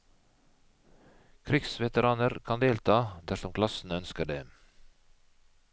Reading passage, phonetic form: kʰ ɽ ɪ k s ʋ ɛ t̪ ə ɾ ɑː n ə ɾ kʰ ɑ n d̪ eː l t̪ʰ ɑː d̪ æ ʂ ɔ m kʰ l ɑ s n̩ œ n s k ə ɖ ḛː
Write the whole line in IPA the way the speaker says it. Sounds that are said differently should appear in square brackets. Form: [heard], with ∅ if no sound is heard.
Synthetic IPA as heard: kʰ [ɾ] ɪ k s ʋ ɛ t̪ ə ɾ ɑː n ə ɾ kʰ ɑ n d̪ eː l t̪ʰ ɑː d̪ æ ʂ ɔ m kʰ l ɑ s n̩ œ n s k ə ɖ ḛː